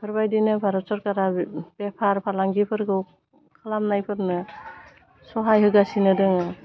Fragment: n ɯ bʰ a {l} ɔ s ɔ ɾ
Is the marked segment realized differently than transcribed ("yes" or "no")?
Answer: yes